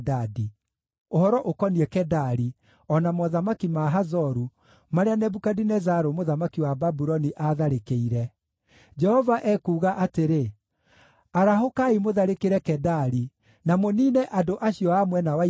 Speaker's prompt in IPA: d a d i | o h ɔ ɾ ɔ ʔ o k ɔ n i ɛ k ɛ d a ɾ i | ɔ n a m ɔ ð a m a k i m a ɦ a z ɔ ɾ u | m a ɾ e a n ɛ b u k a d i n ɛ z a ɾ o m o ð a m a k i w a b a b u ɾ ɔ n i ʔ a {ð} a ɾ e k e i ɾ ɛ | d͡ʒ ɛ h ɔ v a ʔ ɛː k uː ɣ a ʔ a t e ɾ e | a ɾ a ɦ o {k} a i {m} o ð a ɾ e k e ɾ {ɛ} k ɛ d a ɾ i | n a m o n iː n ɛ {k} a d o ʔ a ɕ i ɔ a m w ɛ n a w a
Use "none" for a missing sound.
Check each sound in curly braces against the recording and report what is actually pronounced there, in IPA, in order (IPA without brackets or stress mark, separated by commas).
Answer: ð, k, m, ɛ, ʔ